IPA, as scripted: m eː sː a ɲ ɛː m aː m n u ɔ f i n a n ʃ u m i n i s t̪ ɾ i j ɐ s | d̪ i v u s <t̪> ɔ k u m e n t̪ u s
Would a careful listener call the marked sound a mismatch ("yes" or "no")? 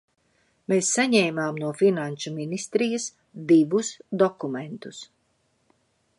yes